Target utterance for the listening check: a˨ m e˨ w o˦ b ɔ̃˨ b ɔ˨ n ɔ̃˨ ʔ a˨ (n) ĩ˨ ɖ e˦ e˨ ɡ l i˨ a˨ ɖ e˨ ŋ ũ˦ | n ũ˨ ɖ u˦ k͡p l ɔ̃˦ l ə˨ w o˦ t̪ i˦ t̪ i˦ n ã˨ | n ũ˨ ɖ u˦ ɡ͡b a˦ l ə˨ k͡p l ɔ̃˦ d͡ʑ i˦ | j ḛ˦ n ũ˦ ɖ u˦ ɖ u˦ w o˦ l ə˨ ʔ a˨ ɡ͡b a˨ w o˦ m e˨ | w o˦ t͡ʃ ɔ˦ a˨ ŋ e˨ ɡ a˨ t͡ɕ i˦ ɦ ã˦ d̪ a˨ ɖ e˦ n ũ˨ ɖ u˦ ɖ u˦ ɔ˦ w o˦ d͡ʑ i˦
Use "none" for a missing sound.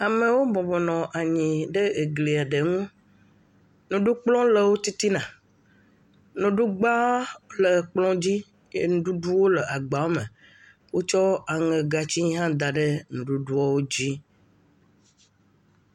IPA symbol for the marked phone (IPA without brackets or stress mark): ɲ